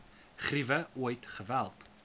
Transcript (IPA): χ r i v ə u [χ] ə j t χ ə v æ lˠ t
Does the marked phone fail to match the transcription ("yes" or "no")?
yes